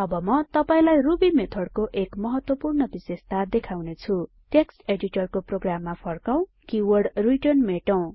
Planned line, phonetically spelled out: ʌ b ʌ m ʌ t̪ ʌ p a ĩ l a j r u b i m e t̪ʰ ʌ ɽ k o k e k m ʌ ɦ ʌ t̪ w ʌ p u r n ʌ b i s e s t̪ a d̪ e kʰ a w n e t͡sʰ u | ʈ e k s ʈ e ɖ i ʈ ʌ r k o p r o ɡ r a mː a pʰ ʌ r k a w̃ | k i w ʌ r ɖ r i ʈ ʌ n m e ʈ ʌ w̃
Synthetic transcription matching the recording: ʌ b ʌ m ʌ t̪ ʌ p a ĩ l a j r u b i m e t̪ʰ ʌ ɽ k o ʔ e k m ʌ ɦ ʌ t̪ w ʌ p u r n ʌ b i s e s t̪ a d̪ e kʰ a w n e t͡sʰ u | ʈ e k s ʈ e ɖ i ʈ ʌ r k o p r o ɡ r a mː a pʰ ʌ r k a w̃ | k i w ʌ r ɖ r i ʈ ʌ n m e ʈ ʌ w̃